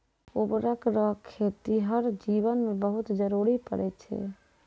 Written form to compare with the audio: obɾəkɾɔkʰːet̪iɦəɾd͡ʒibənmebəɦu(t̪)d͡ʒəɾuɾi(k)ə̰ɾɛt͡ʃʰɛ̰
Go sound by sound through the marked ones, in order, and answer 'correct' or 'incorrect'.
correct, incorrect: p

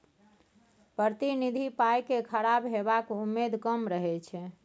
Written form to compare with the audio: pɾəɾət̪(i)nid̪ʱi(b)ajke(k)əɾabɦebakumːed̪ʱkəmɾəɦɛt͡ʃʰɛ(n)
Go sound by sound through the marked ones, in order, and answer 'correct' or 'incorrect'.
correct, incorrect: p, incorrect: kʰ, incorrect: none

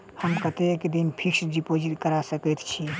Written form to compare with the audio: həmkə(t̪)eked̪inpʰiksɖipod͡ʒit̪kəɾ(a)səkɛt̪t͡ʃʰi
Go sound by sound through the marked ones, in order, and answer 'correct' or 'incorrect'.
correct, correct

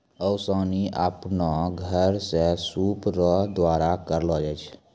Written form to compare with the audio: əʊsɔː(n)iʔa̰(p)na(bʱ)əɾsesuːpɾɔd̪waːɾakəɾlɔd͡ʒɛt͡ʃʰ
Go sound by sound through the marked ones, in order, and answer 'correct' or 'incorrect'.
correct, correct, incorrect: ɡʱ

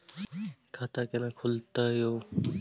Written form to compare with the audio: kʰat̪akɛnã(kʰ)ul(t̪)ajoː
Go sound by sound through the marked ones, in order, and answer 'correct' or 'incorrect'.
correct, correct

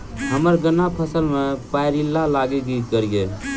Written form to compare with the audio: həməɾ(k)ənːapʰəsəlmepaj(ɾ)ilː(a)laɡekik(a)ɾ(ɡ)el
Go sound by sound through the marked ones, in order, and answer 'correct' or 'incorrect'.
incorrect: ɡ, correct, correct, incorrect: ə, correct

